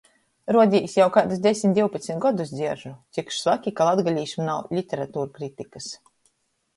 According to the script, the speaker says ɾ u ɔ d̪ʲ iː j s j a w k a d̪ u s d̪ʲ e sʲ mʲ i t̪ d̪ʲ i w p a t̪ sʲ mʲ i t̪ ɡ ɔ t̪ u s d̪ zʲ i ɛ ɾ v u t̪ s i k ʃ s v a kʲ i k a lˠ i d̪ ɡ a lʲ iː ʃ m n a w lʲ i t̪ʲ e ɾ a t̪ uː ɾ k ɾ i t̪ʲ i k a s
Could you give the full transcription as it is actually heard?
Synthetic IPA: ɾ u ɔ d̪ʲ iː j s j a w k a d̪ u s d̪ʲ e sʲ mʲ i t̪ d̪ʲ i w p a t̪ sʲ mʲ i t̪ ɡ ɔ d̪ u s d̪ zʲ i ɛ ɾ ʒ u t̪ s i k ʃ s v a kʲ i k a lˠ a d̪ ɡ a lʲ iː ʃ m n a w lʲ i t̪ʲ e ɾ a t̪ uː ɾ k ɾ i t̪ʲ i k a s